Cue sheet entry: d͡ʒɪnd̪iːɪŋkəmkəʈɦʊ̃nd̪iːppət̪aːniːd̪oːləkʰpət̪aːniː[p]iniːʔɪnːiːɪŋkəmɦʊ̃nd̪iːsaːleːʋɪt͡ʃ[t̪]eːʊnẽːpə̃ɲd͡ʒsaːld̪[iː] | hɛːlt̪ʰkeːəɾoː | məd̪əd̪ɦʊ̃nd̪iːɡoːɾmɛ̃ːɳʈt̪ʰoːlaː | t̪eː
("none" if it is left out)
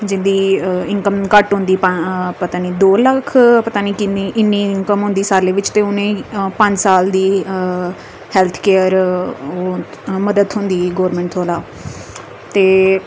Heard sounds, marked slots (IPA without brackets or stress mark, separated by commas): k, t̪, iː